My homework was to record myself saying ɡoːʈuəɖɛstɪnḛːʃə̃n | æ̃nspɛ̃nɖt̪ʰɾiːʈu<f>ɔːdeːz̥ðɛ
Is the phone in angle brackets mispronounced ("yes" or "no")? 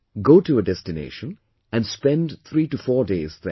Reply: no